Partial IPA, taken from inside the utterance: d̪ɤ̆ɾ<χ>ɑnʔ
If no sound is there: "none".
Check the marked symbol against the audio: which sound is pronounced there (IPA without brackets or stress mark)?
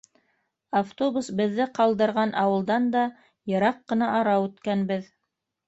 ʁ